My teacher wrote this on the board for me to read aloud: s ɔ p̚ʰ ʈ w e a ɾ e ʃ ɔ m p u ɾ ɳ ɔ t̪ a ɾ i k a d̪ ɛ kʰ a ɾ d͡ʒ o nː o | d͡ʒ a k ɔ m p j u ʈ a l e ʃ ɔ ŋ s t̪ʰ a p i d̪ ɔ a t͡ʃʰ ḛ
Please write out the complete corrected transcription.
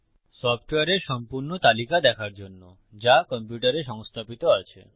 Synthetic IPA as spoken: s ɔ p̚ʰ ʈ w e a ɾ e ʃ ɔ m p u ɾ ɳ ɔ t̪ a l i k a d̪ ɛ kʰ a ɾ d͡ʒ o nː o | d͡ʒ a k ɔ m p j u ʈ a ɾ e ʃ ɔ ŋ s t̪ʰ a p i t̪ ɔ a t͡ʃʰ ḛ